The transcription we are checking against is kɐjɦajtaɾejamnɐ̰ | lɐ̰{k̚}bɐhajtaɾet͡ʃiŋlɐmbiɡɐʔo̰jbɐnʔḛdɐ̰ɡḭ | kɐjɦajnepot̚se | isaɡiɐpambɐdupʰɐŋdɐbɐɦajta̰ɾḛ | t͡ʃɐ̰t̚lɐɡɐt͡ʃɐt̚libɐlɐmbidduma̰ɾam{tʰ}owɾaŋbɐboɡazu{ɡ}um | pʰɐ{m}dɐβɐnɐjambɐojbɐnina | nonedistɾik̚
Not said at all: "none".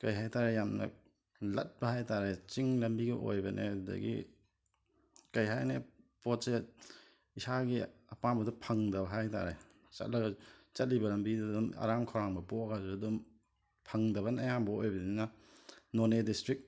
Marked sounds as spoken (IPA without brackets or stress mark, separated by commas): t̚, kʰ, d, ŋ